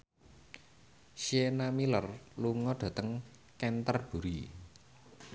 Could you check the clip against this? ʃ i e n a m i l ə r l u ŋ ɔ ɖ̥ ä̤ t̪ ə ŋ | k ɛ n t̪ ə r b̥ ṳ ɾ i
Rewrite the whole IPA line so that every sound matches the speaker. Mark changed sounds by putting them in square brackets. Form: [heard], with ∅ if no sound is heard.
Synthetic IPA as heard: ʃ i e n a m i l ə r l u ŋ ɔ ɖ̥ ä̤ t̪ ə ŋ | k ɛ n t̪ ə r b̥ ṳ ɾ i